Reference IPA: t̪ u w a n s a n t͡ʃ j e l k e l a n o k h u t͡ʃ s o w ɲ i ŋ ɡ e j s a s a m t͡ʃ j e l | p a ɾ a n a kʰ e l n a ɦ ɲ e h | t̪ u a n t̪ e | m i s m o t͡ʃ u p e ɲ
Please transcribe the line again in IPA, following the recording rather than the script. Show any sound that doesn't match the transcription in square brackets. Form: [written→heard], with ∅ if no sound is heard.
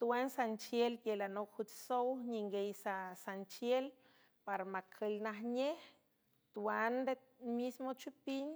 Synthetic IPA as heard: t̪ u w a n s a n t͡ʃ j e l k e l a n o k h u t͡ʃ s o w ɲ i ŋ ɡ e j s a s a [m→n] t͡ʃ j e l | p a ɾ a [n→m] a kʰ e l n a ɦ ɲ e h | t̪ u a n [t̪→d̪] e | m i s m o t͡ʃ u p [e→i] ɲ